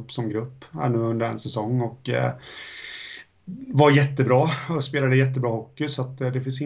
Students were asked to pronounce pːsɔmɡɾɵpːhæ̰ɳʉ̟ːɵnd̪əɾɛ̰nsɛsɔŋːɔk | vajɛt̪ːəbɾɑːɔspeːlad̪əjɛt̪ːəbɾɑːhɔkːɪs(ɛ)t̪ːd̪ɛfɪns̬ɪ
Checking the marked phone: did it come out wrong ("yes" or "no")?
yes